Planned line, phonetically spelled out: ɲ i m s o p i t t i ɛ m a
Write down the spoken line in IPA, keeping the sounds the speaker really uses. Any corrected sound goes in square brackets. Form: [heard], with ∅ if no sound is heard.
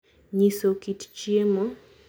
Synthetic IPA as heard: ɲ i [∅] s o [k] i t [t͡ʃ] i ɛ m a